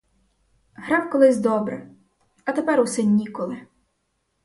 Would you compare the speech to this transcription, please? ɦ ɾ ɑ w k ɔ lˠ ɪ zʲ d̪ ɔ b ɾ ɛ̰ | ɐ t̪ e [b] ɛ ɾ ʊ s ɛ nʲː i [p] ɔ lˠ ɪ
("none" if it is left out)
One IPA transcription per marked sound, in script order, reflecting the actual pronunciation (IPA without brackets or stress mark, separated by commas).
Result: p, k